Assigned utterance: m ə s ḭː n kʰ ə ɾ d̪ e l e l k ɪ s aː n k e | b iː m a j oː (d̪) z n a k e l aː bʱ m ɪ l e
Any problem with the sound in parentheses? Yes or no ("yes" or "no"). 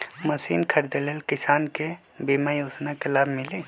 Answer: yes